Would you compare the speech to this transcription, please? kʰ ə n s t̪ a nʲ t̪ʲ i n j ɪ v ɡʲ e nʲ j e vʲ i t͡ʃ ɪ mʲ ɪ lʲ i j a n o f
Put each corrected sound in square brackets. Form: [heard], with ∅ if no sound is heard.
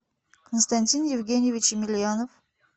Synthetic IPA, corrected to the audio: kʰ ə n s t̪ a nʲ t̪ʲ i n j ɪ v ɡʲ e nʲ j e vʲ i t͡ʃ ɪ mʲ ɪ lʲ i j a n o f